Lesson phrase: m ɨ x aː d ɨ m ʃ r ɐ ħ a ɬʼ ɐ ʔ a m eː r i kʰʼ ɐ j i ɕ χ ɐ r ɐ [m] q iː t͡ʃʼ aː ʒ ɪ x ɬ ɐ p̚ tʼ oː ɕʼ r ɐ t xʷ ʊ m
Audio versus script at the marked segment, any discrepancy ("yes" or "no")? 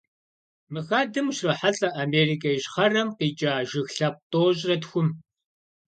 no